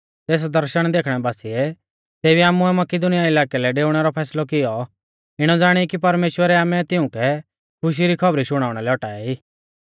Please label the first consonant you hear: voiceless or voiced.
voiceless